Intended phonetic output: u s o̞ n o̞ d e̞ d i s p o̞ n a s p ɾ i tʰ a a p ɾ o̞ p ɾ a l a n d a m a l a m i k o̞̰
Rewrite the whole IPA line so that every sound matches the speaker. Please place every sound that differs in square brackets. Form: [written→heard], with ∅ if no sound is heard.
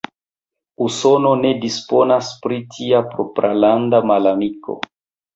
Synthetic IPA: u s o̞ n o̞ [d→n] e̞ d i s p o̞ n a s p ɾ i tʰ [a→i] a p ɾ o̞ p ɾ a l a n d a m a l a m i k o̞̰